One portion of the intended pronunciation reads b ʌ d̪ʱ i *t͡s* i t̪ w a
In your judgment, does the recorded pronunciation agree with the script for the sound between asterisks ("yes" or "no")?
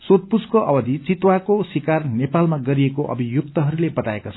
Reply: yes